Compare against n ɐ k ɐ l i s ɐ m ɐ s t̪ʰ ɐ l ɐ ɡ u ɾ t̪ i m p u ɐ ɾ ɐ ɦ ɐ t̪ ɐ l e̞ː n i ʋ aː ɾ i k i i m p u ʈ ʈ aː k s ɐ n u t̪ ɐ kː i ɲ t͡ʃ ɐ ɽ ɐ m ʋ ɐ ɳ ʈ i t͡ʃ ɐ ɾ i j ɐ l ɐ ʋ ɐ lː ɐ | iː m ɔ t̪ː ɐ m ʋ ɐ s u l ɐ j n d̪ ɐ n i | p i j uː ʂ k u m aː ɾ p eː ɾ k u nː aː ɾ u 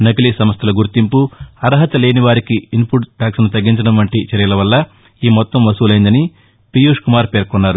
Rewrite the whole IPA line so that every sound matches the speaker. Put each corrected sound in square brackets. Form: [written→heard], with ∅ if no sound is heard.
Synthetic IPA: n ɐ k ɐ l i s ɐ m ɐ s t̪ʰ ɐ l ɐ ɡ u ɾ t̪ i m p u ɐ ɾ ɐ ɦ ɐ t̪ ɐ l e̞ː n i ʋ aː ɾ i k i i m p u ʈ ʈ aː k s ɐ n u t̪ ɐ [kː→ɡː] i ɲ t͡ʃ ɐ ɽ ɐ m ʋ ɐ ɳ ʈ i t͡ʃ ɐ ɾ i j ɐ l ɐ ʋ ɐ lː ɐ | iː m ɔ t̪ː ɐ m ʋ ɐ s [u→uː] l ɐ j n d̪ ɐ n i | p i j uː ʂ k u m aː ɾ p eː ɾ k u nː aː ɾ u